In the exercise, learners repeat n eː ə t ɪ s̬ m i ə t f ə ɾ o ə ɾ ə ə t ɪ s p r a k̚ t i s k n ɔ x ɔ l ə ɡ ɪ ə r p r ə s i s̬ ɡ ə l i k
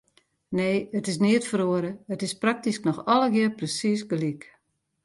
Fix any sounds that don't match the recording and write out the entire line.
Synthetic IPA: n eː ə t ɪ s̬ n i ə t f ə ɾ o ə ɾ ə ə t ɪ s p r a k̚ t i s k n ɔ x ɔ l ə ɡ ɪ ə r p r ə s i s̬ ɡ ə l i k